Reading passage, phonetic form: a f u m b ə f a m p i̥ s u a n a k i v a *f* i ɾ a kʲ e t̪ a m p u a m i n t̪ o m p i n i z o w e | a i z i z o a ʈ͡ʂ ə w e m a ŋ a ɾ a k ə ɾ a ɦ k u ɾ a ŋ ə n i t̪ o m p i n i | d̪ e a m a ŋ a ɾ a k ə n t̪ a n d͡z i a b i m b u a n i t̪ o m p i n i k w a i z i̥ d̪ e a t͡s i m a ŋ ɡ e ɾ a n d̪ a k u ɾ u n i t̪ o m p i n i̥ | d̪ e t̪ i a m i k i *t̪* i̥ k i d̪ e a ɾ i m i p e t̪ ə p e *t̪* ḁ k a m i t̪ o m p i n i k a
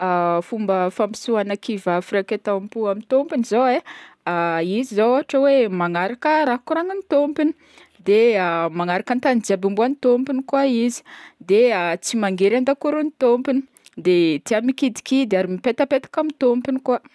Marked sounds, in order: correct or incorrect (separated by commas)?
correct, incorrect, correct